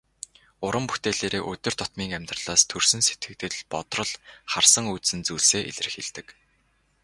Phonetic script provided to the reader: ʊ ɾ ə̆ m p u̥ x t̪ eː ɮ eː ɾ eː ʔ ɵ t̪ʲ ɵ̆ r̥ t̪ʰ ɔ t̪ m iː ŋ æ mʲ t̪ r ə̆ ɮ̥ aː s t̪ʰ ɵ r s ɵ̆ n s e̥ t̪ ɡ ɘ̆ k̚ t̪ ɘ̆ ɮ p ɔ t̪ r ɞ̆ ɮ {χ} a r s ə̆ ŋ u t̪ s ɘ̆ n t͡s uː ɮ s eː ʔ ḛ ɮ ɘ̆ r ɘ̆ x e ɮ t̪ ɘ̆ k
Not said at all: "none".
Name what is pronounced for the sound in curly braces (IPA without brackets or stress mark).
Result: χ